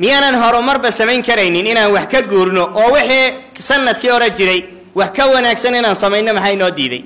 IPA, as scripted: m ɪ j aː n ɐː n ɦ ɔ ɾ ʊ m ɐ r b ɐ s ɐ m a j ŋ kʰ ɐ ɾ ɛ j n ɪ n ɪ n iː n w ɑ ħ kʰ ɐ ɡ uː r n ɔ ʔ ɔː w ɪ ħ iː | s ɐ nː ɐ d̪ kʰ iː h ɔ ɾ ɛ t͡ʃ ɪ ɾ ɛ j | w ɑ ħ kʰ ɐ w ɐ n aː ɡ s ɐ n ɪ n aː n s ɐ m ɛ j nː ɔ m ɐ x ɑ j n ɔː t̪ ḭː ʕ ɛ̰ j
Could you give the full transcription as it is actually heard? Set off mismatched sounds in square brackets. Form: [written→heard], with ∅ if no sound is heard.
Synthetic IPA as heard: m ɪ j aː n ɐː n ɦ ɔ ɾ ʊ m ɐ r b ɐ s ɐ m [a→ɛ] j ŋ kʰ ɐ ɾ ɛ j n ɪ n ɪ n [iː→aː] n w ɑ ħ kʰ ɐ ɡ uː r n ɔ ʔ ɔː w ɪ ħ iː | s ɐ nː ɐ d̪ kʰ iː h ɔ ɾ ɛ t͡ʃ ɪ ɾ ɛ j | w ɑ ħ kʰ ɐ w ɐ n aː ɡ s ɐ n ɪ n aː n s ɐ m ɛ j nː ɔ m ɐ [x→ħ] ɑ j n ɔː [t̪→d̪] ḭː [ʕ→ð] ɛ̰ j